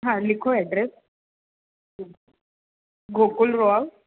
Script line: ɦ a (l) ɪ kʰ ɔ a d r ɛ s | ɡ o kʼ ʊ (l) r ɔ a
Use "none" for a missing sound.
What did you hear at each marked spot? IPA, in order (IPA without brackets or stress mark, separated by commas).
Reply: l, l